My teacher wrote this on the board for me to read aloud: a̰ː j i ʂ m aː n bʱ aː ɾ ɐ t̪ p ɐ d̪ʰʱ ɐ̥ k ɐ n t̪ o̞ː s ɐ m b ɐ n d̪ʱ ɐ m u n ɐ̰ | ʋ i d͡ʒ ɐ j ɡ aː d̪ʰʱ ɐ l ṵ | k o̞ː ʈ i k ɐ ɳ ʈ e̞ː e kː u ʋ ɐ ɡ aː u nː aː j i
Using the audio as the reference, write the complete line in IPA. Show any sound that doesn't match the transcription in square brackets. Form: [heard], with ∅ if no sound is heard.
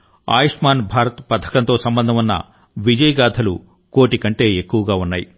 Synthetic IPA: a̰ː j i ʂ m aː n bʱ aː ɾ ɐ t̪ p ɐ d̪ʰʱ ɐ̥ k ɐ n t̪ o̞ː s ɐ m b ɐ n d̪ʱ ɐ m u [nː] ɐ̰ | ʋ i d͡ʒ ɐ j ɡ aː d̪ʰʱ ɐ l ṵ | k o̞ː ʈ i k ɐ ɳ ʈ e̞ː e kː u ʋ ɐ ɡ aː u nː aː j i